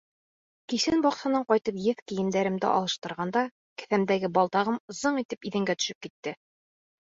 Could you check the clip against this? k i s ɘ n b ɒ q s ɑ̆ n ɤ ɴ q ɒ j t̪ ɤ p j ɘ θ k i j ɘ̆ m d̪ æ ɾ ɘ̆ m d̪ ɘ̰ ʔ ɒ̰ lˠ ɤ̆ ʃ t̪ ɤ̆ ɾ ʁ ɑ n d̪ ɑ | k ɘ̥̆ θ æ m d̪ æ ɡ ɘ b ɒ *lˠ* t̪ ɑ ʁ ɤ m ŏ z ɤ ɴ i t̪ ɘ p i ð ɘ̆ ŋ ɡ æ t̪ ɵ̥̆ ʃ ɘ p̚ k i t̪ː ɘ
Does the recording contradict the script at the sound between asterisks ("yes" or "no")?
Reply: no